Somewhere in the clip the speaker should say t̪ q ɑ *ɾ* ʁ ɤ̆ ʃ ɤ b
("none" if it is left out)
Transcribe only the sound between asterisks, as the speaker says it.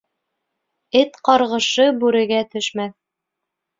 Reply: ɾ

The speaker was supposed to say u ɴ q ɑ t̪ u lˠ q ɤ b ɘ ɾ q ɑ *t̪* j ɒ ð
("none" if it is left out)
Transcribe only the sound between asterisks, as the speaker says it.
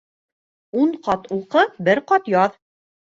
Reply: t̪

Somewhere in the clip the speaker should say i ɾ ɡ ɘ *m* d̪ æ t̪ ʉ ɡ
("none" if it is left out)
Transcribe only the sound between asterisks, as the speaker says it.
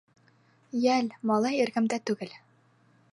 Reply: m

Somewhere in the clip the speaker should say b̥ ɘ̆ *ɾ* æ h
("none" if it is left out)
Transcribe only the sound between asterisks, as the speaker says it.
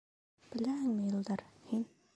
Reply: l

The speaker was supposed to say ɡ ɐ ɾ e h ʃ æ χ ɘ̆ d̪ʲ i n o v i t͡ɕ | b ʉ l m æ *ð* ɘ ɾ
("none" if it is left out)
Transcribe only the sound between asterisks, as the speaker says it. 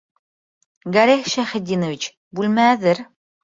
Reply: ð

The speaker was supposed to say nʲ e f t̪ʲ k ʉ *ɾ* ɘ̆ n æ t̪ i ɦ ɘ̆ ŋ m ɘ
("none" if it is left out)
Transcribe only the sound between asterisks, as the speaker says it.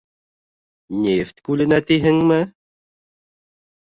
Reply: l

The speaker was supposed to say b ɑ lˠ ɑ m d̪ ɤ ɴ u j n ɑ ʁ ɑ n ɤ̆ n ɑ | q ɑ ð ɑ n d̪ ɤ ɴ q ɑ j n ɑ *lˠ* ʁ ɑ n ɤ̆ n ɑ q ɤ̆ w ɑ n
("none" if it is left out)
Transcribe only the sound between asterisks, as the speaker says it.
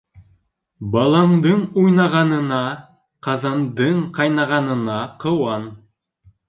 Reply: none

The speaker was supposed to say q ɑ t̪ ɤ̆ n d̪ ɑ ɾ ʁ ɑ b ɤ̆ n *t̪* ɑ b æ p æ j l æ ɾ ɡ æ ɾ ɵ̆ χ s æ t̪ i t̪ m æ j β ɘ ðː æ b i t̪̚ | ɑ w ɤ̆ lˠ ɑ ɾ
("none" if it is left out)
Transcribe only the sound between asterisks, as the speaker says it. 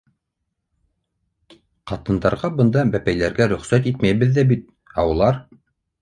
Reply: d̪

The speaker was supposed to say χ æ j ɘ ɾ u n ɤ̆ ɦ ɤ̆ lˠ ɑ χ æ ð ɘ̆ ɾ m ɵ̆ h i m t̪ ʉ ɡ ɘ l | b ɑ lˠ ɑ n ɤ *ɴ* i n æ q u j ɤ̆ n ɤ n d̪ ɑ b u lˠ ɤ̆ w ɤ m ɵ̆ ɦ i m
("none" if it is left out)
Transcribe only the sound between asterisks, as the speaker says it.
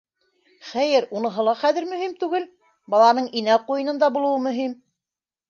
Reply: ɴ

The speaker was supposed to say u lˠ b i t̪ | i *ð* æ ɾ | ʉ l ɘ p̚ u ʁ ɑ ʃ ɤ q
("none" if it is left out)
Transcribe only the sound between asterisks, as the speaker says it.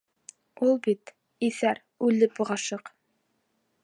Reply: θ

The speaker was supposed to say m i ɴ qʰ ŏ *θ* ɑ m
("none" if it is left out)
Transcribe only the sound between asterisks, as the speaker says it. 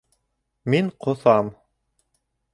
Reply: θ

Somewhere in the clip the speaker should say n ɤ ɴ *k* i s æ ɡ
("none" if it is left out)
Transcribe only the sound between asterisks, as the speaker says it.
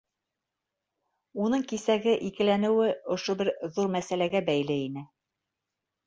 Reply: k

